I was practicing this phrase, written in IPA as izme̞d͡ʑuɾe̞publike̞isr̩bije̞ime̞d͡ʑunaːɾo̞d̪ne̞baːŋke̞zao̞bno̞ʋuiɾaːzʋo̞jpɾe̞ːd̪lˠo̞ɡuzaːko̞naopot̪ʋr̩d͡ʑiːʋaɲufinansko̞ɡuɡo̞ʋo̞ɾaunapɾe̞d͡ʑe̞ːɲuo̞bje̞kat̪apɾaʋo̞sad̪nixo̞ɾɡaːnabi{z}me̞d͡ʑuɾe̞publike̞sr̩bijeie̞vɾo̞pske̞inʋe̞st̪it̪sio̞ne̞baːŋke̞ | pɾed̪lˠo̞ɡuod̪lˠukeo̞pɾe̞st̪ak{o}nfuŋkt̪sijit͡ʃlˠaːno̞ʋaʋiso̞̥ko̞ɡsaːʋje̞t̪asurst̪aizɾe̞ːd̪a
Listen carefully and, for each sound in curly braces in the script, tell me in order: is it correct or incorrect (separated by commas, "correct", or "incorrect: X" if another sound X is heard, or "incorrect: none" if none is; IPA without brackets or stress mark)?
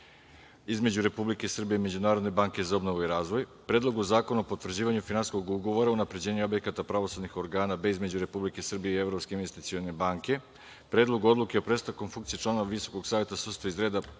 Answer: correct, correct